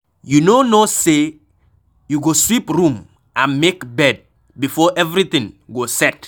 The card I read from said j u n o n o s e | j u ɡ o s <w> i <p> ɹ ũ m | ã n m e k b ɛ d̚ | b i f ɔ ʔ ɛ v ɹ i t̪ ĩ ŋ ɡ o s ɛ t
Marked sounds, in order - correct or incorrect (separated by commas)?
correct, correct